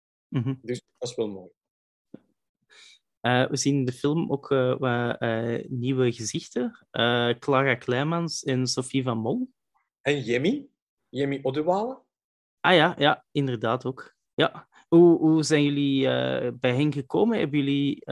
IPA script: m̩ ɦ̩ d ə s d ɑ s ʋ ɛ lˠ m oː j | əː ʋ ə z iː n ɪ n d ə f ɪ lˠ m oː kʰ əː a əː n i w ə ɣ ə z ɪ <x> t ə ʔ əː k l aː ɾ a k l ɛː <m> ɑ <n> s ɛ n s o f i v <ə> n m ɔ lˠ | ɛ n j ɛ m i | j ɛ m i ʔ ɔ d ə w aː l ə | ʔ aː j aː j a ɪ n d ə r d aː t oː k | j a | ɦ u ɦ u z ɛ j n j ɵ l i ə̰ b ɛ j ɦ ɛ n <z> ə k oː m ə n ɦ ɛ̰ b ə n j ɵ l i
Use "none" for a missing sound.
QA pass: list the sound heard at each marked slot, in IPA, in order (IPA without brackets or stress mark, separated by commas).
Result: x, m, n, ɑ, ɣ